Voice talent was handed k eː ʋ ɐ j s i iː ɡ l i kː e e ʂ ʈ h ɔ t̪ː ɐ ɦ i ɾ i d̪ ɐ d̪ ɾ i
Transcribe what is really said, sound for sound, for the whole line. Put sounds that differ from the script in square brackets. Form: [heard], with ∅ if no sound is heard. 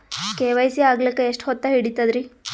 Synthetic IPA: k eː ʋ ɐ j s i [aː] ɡ l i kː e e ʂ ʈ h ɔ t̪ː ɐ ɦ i [ɽ] i [t̪] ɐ d̪ ɾ i